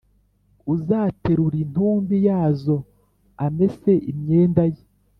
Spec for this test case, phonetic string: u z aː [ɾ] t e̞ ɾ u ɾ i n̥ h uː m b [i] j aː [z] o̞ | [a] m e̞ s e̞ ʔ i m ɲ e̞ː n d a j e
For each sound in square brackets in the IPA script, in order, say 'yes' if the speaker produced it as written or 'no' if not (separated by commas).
no, yes, yes, yes